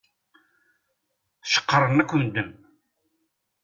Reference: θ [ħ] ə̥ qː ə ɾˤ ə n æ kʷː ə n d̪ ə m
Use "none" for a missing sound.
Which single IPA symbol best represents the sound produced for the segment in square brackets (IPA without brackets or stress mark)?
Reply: ʃ